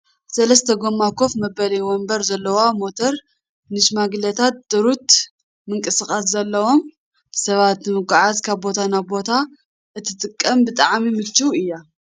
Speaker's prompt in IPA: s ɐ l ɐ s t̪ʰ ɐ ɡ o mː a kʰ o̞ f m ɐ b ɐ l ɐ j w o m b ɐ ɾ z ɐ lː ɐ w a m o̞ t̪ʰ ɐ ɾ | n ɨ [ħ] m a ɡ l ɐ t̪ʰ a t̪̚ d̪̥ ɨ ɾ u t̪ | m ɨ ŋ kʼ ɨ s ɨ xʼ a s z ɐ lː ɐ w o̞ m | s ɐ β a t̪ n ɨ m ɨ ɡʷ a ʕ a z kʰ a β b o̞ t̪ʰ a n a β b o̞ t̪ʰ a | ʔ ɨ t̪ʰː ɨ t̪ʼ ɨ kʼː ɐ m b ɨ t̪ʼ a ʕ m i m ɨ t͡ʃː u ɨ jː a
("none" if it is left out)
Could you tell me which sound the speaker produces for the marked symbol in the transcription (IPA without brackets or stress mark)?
ʃ